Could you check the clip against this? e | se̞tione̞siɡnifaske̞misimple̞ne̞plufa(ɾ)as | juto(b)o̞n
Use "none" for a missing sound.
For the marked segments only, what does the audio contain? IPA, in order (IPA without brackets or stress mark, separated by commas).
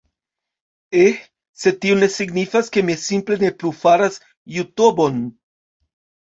ɾ, b